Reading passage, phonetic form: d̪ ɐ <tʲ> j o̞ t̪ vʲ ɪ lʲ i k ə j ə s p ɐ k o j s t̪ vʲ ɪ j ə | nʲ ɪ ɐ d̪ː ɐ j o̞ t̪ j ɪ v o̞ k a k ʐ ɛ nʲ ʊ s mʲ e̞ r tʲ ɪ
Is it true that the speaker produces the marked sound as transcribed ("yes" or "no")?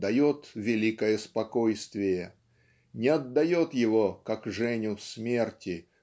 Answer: no